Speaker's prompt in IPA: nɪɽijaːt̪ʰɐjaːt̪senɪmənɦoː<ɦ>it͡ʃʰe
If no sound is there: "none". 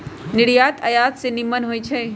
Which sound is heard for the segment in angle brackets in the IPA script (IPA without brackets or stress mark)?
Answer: none